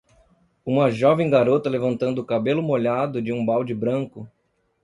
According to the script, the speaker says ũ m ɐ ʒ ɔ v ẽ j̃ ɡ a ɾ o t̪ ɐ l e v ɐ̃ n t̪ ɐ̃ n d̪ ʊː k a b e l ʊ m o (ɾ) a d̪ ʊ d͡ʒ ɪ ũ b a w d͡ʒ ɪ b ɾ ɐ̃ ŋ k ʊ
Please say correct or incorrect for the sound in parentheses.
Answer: incorrect